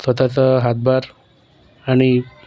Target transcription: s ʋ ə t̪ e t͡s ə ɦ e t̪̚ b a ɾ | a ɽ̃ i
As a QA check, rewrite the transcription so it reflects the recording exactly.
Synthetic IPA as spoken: s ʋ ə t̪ a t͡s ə ɦ a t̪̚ b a ɾ | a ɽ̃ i